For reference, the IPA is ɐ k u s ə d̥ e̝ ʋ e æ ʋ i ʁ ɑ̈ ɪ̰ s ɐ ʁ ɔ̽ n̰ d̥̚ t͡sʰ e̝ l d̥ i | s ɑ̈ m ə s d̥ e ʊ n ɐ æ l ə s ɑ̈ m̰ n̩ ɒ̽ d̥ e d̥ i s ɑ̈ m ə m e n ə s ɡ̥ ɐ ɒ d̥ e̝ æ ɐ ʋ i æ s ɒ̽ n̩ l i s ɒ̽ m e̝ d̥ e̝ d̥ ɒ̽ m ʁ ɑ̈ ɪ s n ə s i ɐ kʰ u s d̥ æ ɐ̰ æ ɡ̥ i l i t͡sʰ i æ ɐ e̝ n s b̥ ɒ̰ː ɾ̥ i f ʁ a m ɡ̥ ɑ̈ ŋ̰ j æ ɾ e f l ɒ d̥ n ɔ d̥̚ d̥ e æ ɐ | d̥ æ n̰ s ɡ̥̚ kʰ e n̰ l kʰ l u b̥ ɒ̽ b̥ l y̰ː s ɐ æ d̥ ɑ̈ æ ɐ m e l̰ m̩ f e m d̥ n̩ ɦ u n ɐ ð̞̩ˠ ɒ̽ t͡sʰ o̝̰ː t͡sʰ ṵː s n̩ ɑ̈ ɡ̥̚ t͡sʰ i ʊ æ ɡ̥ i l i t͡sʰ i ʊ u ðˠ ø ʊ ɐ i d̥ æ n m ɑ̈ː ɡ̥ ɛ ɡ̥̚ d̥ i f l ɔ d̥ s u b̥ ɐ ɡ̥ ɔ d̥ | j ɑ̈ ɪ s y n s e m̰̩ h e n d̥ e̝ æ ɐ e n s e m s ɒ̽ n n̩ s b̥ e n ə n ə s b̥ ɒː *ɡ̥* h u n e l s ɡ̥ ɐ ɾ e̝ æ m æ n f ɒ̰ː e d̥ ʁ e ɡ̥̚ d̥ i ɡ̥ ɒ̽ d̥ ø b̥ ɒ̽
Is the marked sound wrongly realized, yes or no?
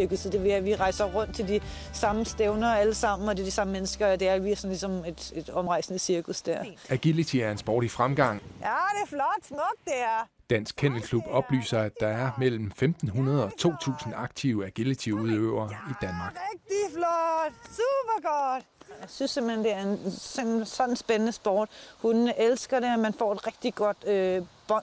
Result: yes